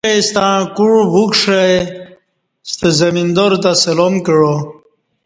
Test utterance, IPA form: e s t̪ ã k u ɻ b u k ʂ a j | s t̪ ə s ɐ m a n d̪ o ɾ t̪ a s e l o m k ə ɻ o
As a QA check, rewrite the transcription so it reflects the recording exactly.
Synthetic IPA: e s t̪ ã k u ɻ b u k ʂ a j | s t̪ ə z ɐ m i n d̪ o ɾ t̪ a s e l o m k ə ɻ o